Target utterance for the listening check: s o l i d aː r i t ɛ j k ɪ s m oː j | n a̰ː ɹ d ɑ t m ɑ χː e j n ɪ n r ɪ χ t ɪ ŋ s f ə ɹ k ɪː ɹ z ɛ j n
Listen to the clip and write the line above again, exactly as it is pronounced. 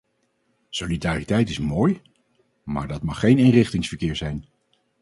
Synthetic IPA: s o l i d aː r i t ɛ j t ɪ s m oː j | m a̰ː ɹ d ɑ t m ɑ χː e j n ɪ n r ɪ χ t ɪ ŋ s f ə ɹ k ɪː ɹ z ɛ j n